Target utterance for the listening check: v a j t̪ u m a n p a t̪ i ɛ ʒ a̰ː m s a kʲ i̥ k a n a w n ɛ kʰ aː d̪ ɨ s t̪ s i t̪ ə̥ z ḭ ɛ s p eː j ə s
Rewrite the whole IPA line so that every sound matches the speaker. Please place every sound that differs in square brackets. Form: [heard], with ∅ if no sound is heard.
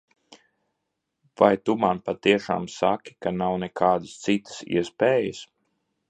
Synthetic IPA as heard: v a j t̪ u m a n p a t̪ i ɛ [ʃ] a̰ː m s a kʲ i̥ k a n a w n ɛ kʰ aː d̪ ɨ s t̪ s i t̪ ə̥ [s] ḭ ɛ s p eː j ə s